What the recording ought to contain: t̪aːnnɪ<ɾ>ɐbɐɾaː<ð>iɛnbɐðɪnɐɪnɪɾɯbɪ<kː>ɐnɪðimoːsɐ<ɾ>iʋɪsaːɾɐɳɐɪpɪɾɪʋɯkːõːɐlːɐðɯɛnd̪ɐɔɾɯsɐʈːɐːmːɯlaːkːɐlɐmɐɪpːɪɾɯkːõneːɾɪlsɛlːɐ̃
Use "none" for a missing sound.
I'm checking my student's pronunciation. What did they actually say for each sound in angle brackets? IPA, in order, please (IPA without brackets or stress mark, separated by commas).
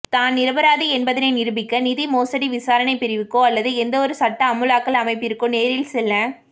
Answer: ɾ, ð, kː, ɽ